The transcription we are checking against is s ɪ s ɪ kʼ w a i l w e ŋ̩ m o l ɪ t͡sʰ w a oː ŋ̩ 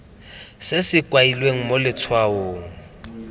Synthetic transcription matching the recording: s ɪ s ɪ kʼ w a i l w e ŋ̩ m o l ɪ t͡sʰ w a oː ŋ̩